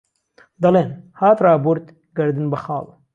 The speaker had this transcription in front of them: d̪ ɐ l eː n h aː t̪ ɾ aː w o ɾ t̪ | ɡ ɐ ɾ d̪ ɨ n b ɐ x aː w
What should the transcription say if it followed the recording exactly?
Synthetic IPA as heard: d̪ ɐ l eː n h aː t̪ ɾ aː b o ɾ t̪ | ɡ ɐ ɾ d̪ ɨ n b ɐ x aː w